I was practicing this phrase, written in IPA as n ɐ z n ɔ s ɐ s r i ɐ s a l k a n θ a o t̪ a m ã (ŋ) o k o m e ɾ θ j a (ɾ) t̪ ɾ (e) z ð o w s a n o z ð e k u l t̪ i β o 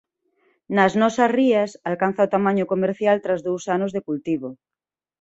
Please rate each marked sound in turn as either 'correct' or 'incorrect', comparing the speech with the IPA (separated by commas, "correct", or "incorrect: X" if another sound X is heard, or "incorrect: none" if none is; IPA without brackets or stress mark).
incorrect: ɲ, incorrect: l, incorrect: a